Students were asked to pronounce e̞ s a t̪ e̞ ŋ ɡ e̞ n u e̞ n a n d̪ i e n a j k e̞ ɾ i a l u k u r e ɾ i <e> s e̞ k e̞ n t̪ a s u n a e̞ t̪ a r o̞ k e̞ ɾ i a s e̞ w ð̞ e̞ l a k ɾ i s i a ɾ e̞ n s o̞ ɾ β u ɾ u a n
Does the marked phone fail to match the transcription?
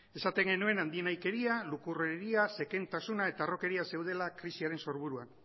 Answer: yes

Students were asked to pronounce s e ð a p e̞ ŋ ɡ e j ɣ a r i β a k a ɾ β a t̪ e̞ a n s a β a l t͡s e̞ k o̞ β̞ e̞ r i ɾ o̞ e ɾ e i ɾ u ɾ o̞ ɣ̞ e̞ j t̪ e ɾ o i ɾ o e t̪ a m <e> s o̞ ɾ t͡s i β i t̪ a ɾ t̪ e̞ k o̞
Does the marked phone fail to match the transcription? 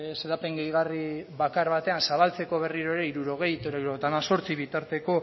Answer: yes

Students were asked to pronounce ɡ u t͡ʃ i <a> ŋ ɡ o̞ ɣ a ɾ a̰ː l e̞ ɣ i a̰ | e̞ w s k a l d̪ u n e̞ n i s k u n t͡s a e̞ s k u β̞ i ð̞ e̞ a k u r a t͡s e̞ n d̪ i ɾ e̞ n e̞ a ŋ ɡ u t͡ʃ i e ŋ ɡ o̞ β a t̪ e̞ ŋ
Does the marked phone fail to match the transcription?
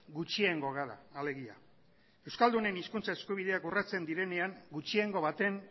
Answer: yes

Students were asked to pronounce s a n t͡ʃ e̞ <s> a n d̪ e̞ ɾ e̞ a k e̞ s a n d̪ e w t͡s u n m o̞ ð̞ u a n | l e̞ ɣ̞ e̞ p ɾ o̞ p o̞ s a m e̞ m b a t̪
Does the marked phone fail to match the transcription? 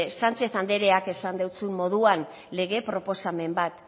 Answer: yes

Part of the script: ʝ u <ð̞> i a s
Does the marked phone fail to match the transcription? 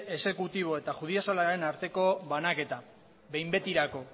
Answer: no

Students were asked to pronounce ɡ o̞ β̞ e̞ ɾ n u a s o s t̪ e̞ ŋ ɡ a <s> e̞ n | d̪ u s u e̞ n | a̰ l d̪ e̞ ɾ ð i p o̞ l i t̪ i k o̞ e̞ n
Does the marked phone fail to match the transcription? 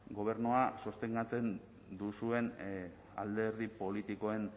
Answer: yes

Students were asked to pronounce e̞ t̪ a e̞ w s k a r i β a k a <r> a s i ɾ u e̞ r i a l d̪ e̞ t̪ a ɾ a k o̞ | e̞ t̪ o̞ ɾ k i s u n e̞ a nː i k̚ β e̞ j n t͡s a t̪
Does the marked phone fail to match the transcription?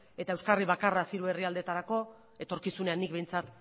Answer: no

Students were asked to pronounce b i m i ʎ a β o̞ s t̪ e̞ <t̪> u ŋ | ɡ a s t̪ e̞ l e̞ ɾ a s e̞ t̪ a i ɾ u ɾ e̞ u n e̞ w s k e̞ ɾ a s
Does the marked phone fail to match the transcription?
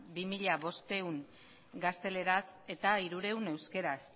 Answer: yes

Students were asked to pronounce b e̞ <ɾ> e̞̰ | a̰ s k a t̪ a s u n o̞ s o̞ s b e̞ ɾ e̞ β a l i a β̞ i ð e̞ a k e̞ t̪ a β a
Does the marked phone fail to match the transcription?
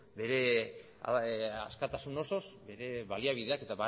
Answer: no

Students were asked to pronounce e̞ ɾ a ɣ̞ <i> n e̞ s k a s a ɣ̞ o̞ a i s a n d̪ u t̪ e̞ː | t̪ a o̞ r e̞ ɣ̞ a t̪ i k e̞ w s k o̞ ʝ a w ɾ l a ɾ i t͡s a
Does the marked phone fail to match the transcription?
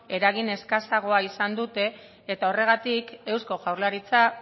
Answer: no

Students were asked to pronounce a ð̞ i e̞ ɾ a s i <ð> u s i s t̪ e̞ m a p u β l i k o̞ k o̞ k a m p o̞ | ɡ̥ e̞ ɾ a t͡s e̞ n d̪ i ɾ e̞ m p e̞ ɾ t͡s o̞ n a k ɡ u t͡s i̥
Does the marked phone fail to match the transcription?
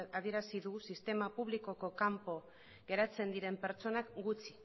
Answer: no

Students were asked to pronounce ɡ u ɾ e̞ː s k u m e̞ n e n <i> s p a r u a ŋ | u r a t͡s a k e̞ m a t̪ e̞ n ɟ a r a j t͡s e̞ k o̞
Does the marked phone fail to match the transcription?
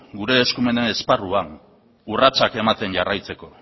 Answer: yes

